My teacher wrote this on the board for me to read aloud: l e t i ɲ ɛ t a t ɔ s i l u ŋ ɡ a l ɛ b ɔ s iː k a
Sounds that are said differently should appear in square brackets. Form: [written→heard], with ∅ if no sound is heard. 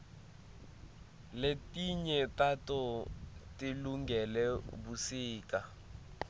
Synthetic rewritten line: l e t i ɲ ɛ t a t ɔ [s→t] i l u ŋ ɡ [a→ɛ] l ɛ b [ɔ→u] s iː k a